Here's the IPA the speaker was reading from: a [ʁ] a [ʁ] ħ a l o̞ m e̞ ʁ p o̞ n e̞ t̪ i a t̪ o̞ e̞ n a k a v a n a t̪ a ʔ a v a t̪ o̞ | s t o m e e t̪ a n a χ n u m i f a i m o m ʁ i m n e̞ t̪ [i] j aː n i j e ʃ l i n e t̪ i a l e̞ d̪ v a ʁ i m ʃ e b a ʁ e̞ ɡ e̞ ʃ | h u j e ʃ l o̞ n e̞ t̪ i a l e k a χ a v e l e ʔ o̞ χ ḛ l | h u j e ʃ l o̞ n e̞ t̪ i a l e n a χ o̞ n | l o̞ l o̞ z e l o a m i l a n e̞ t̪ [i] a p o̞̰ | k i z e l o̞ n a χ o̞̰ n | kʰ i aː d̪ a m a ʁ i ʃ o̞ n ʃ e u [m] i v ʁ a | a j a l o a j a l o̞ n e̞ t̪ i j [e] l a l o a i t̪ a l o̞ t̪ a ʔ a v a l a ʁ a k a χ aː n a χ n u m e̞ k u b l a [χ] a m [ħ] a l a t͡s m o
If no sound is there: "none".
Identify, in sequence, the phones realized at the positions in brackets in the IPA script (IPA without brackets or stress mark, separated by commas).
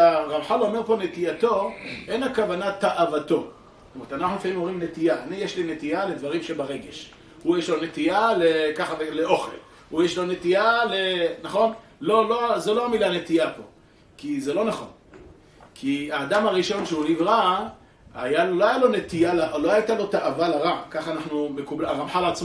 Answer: ʁ, v, i, i, n, a, ʁ, ħ